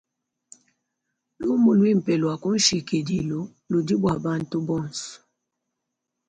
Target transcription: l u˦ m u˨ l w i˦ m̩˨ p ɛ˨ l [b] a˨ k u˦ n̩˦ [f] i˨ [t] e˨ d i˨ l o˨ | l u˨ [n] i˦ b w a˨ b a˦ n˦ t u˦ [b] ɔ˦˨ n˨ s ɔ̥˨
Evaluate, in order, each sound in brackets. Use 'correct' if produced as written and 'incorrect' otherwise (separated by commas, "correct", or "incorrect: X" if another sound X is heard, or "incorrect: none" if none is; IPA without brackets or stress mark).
incorrect: w, incorrect: ʃ, incorrect: k, incorrect: d, correct